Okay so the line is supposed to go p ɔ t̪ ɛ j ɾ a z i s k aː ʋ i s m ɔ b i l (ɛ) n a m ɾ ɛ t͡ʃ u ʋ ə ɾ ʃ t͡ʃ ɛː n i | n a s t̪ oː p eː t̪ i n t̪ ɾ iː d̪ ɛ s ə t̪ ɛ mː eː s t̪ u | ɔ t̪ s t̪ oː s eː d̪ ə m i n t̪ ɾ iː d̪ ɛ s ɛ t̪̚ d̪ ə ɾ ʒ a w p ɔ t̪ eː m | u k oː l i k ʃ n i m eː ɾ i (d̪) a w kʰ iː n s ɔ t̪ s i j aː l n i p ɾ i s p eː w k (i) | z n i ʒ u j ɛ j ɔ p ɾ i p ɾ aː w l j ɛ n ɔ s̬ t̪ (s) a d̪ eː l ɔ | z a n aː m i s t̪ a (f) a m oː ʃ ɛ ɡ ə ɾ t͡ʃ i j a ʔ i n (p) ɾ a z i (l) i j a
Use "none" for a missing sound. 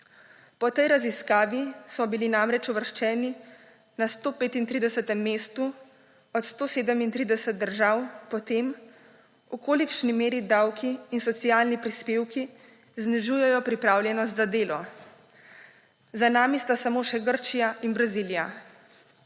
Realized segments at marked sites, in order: i, d̪, i, z, s, b, l

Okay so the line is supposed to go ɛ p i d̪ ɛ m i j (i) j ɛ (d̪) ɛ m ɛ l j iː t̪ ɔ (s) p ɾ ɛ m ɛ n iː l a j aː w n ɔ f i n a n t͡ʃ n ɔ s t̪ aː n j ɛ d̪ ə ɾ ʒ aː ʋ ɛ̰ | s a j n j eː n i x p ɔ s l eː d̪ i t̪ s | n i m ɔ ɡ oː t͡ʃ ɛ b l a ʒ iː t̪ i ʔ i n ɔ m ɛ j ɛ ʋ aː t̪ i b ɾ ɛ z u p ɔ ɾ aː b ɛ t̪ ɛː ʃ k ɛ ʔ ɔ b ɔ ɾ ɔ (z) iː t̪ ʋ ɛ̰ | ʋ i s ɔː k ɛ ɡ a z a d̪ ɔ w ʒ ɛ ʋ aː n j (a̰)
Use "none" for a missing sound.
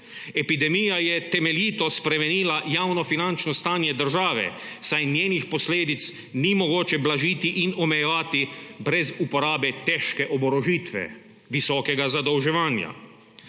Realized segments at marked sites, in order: a, t̪, s, ʒ, a̰

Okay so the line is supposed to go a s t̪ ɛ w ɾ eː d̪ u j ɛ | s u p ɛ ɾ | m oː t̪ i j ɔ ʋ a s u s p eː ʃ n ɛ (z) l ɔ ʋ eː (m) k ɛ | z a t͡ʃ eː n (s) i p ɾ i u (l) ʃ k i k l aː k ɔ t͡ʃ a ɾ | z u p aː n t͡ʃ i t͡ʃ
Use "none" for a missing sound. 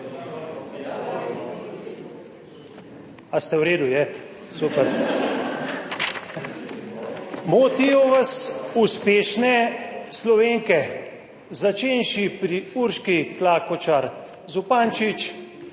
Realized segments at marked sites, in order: s, ŋ, ʃ, ɾ

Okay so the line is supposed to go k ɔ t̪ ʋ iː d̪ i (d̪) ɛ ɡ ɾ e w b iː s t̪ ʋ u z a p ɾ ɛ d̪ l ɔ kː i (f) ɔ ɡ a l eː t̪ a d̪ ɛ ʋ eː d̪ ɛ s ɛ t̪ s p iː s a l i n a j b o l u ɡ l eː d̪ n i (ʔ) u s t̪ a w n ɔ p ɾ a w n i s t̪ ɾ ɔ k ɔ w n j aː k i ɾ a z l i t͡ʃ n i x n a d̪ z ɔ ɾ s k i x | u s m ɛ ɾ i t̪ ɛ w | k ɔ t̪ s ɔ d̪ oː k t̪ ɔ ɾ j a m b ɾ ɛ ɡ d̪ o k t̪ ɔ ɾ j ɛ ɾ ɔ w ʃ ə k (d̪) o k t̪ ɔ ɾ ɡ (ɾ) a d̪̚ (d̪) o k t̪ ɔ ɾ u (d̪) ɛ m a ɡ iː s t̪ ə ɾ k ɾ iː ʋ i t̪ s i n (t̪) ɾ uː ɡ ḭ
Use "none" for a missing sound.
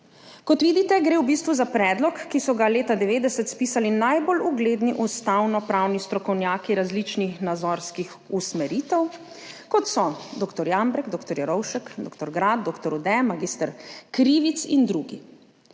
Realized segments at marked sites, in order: t̪, s, ʔ, d̪, ɾ, d̪, d̪, d̪

